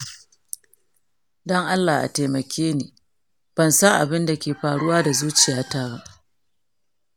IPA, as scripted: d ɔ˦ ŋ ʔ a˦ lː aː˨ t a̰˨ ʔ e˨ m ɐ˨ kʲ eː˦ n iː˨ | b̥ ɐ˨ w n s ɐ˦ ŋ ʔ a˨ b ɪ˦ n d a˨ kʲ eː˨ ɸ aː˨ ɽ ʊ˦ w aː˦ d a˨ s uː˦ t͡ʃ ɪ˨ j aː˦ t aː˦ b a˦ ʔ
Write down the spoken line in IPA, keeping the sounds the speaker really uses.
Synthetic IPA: d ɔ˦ ŋ ʔ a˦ lː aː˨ ʔ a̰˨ t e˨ m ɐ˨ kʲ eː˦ n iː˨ | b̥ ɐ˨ n s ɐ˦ ŋ ʔ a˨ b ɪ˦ n d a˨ kʲ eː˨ ɸ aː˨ ɽ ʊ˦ w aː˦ d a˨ z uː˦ t͡ʃ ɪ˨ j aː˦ t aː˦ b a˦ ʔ